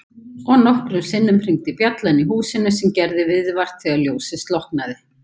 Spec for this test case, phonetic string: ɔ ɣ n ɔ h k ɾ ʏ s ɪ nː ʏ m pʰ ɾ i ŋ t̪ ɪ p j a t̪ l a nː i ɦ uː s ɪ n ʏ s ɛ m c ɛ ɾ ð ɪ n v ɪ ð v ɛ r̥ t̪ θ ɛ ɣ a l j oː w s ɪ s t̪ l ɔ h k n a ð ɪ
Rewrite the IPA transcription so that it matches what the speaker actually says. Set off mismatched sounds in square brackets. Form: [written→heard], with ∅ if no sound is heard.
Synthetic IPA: ɔ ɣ n ɔ h k ɾ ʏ s ɪ nː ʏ m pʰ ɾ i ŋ t̪ ɪ p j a t̪ l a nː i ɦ uː s ɪ n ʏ s ɛ m c ɛ ɾ ð ɪ [n→∅] v ɪ ð v [ɛ→a] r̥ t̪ θ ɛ ɣ a l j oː w s ɪ s t̪ l ɔ h k n a ð ɪ